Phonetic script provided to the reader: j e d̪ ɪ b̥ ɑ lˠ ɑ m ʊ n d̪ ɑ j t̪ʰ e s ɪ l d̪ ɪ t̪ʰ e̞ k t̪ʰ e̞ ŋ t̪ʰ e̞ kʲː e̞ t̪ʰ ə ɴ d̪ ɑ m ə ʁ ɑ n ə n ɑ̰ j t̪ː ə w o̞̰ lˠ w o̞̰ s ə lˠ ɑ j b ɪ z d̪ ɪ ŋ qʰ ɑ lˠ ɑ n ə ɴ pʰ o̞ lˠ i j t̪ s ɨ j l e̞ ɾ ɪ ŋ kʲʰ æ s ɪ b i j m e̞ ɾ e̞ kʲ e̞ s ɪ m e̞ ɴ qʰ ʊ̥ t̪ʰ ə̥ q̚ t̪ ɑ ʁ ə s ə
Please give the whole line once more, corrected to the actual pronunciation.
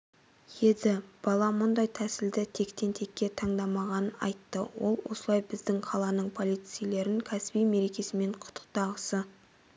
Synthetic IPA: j e d̪ ɪ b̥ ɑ lˠ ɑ m ʊ n d̪ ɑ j t̪ʰ æ s ɪ l d̪ ɪ t̪ʰ e̞ k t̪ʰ e̞ n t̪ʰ e̞ kʲː e̞ t̪ʰ ɑ ɴ d̪ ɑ m ɑ ʁ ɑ n ə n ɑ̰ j t̪ː ə w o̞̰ lˠ w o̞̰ s ə lˠ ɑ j b ɪ z d̪ ɪ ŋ qʰ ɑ lˠ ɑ n ə ɴ pʰ o̞ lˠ i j t̪ s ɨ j l e̞ ɾ ɪ ŋ kʲʰ æ s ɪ b i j m e̞ ɾ e̞ kʲ e̞ s ɪ m e̞ ɴ qʰ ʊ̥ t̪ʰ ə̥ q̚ t̪ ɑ ʁ ə s ə